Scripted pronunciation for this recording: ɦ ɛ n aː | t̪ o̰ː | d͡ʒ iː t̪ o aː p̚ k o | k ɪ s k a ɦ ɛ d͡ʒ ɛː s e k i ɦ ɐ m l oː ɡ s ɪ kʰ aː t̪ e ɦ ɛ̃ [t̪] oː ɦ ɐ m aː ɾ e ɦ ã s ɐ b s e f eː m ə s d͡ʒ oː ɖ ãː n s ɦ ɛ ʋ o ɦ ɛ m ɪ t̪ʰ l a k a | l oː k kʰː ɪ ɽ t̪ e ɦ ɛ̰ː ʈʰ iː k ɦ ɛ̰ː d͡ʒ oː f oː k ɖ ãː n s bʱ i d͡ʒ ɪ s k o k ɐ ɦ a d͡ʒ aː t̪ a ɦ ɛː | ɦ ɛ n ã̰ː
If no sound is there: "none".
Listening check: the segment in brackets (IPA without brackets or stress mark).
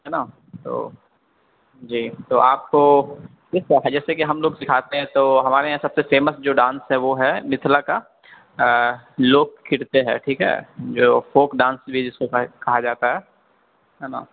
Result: t̪